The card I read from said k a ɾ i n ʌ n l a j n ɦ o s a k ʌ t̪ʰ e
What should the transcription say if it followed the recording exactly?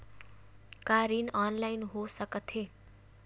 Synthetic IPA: k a ɾ i n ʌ n l a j n ɦ o s ʌ k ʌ t̪ʰ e